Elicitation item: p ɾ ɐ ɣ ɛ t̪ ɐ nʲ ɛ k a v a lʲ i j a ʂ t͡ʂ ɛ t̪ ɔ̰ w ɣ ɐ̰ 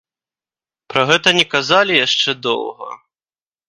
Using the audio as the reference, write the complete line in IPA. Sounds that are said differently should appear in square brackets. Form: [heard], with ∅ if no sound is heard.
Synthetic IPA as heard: p ɾ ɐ ɣ ɛ t̪ ɐ nʲ ɛ k a [z] a lʲ i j a ʂ t͡ʂ ɛ [d̪] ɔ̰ w ɣ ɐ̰